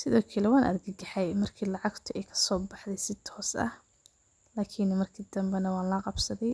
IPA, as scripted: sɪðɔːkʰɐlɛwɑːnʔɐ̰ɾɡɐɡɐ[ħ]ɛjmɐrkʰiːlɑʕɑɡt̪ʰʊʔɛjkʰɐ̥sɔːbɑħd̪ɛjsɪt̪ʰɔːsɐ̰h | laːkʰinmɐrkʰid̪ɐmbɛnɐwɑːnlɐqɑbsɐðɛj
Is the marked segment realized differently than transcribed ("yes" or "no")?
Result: no